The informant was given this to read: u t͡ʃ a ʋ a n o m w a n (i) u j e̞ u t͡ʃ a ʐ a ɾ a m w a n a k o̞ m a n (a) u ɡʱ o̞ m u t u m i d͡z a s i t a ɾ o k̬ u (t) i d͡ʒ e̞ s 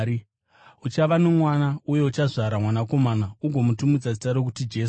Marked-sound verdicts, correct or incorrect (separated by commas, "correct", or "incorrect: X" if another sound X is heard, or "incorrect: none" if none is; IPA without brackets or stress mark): incorrect: a, correct, correct